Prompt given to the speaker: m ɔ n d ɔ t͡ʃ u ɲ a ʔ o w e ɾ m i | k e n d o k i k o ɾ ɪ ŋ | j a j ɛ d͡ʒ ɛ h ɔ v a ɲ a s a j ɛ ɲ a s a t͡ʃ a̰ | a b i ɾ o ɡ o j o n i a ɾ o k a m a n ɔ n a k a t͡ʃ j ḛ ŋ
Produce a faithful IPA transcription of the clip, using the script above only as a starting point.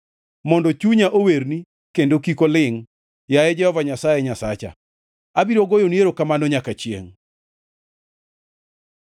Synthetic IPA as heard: m ɔ n d ɔ t͡ʃ u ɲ a ʔ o w e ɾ n i | k e n d o k i k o l ɪ ŋ | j a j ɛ d͡ʒ ɛ h ɔ v a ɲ a s a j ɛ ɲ a s a t͡ʃ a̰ | a b i ɾ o ɡ o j o n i e ɾ o k a m a n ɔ ɲ a k a t͡ʃ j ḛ ŋ